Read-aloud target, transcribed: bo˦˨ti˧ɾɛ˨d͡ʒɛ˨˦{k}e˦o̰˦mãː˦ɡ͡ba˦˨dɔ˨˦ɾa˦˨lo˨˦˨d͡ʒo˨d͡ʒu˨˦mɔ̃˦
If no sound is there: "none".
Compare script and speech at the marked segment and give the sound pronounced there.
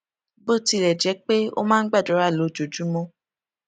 k͡p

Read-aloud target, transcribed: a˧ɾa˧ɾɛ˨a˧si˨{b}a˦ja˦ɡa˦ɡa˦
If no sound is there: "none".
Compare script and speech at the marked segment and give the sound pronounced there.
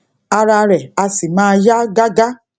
m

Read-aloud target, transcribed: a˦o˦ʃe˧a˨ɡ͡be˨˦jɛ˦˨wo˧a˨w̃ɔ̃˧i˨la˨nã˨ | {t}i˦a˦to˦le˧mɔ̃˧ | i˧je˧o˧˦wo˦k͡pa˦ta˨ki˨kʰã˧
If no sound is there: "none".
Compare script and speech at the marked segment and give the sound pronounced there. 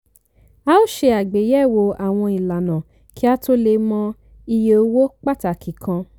k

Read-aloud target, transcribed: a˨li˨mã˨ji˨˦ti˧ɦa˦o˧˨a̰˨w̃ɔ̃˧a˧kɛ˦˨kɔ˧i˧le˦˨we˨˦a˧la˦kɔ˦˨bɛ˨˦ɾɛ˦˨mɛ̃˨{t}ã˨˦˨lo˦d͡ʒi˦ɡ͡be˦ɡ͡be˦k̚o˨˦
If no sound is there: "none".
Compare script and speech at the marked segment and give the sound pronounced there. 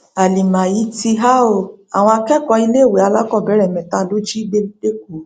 t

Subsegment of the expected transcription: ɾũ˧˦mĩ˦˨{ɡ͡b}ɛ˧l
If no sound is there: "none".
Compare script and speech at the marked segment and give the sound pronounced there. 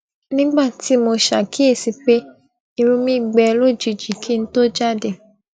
ɡ͡b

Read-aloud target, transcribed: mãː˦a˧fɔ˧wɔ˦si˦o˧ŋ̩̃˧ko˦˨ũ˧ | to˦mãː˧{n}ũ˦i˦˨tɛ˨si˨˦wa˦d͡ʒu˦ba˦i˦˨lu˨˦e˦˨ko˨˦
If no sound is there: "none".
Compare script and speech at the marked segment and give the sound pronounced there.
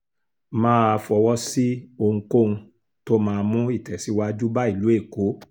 m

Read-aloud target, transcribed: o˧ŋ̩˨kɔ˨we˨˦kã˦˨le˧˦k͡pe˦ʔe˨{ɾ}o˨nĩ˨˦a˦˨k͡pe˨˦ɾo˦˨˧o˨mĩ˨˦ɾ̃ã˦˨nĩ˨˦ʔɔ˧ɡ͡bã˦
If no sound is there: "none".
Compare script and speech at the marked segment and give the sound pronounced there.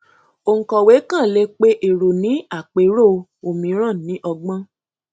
ɾ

